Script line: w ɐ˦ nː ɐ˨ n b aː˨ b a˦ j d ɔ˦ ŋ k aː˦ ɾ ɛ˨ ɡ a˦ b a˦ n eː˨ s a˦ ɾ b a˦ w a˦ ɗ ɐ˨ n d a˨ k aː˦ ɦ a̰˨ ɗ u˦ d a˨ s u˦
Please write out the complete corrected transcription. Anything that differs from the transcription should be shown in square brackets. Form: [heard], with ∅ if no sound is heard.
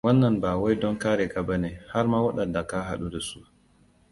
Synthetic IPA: w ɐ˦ nː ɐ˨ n b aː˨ [w] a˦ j d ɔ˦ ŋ k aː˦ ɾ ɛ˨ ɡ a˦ b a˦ n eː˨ [h] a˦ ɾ [m] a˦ w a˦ ɗ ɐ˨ n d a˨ k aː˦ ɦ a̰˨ ɗ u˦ d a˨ s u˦